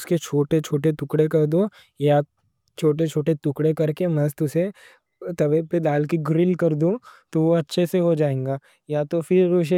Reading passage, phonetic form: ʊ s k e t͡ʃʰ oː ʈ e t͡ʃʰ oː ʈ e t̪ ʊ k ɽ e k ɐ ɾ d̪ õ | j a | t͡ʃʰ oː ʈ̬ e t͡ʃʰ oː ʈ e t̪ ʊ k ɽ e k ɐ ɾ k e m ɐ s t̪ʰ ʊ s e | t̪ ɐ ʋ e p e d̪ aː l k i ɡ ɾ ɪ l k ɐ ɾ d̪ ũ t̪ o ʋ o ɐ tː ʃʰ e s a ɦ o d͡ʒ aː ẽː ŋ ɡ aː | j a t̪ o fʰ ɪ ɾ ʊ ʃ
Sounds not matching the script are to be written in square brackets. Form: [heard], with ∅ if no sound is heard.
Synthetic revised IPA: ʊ s k e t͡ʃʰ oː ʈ e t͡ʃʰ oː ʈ e t̪ ʊ k ɽ e k ɐ ɾ d̪ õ | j a | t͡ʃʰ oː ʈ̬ e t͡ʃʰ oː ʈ e t̪ ʊ k ɽ e k ɐ ɾ k e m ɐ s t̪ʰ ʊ s e | t̪ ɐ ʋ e p e d̪ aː l k i ɡ ɾ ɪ l k ɐ ɾ d̪ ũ t̪ o ʋ o ɐ tː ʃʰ e s [e] ɦ o d͡ʒ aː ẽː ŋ ɡ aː | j a t̪ o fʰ ɪ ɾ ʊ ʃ